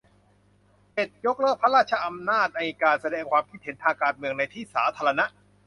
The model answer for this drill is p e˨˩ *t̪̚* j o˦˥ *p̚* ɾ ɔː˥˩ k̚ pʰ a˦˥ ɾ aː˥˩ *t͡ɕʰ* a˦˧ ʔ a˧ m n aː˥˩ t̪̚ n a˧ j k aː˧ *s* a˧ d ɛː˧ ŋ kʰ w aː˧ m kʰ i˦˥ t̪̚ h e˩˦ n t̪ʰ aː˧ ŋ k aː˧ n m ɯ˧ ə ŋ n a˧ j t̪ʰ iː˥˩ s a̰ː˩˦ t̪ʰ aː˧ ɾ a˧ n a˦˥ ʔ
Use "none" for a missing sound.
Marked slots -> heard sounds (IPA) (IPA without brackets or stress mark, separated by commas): t̪̚, k̚, t͡ɕʰ, s